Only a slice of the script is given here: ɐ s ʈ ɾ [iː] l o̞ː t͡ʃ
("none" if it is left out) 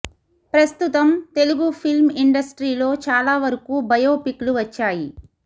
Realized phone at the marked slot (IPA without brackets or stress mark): iː